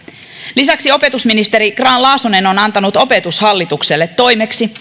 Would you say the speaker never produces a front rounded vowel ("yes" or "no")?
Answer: yes